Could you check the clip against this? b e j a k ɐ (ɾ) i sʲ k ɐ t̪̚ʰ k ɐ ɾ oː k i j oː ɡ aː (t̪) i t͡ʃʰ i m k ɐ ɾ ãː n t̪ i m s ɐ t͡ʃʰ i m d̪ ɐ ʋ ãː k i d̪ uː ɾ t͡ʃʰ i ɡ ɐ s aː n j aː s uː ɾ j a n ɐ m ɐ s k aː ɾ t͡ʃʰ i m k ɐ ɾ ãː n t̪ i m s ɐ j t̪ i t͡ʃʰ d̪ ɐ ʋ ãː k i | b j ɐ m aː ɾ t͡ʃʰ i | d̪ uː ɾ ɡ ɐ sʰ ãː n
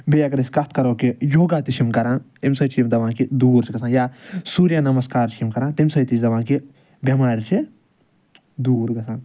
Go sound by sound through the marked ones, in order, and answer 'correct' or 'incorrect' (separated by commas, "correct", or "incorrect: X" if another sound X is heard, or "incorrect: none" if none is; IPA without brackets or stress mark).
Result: correct, correct